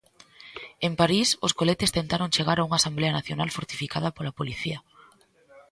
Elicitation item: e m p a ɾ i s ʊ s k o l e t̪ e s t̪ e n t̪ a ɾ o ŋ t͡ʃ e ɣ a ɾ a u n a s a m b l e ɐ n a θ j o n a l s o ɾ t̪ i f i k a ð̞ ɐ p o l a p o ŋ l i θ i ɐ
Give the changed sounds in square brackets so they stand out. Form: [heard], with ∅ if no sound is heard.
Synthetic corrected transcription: e m p a ɾ i s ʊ s k o l e t̪ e s t̪ e n t̪ a ɾ o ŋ t͡ʃ e ɣ a ɾ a u [ŋ] a s a m b l e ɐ n a θ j o n a l [f] o ɾ t̪ i f i k a ð̞ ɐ p o l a p o [∅] l i θ i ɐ